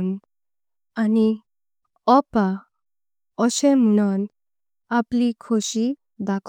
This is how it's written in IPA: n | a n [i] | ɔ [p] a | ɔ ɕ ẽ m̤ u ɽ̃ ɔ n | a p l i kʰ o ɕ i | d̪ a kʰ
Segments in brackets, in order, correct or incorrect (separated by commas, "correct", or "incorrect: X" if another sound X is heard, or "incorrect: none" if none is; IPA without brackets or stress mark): correct, correct